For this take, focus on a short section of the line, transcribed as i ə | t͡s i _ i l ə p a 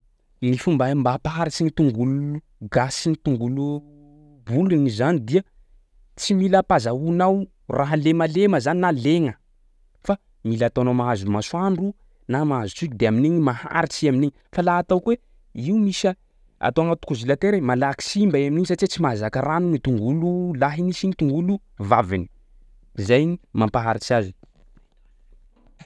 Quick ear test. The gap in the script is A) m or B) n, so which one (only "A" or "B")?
A